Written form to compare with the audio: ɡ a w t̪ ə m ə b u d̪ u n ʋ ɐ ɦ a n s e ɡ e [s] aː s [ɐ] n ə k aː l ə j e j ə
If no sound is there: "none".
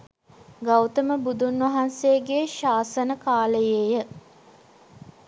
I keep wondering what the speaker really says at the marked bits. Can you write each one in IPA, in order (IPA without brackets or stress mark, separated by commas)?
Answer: ʃ, ə